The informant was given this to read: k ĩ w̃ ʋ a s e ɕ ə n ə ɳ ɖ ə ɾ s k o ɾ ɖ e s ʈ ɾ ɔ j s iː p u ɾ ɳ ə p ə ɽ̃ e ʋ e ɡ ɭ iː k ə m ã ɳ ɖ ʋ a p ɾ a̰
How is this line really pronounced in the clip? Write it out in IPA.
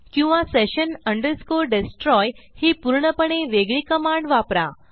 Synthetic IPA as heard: k ĩ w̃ ʋ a s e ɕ ə n ə ɳ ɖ ə ɾ s k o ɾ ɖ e s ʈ ɾ ɔ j h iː p u ɾ ɳ ə p ə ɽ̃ e ʋ e ɡ ɭ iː k ə m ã ɳ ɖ ʋ a p ɾ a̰